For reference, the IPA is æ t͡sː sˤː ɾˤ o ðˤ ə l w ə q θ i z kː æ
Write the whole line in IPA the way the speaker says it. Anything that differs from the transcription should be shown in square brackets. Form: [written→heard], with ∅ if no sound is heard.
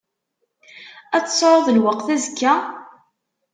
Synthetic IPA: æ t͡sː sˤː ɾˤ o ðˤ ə l w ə q θ [i→æ] z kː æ